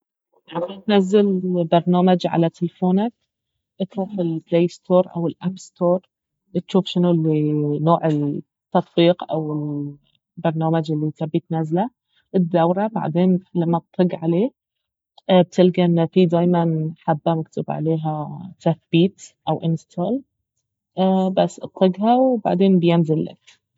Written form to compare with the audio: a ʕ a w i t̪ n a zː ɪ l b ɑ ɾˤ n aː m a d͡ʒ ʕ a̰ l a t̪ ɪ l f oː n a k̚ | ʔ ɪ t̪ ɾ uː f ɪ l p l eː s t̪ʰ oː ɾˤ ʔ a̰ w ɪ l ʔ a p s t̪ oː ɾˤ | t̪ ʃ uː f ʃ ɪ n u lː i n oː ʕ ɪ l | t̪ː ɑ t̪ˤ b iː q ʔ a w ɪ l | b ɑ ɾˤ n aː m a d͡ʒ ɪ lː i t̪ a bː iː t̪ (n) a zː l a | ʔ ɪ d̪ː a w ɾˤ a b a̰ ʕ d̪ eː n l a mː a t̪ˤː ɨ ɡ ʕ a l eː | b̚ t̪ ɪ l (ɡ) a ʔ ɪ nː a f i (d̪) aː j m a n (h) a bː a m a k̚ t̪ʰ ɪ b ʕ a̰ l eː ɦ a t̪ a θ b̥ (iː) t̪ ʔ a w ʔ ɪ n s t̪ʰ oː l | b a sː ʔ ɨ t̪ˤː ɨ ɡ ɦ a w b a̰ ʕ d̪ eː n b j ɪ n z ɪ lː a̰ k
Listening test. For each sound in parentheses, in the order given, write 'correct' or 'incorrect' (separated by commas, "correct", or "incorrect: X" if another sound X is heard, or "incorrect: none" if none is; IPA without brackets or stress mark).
correct, correct, correct, incorrect: ħ, correct